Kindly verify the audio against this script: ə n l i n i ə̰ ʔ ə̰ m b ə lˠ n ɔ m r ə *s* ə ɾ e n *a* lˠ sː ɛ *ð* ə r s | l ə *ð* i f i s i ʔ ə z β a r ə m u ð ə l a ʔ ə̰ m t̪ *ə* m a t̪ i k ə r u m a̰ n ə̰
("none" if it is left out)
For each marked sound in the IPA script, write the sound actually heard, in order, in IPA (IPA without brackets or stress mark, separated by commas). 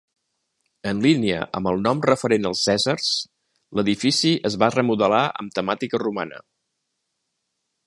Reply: f, ə, z, ð, ə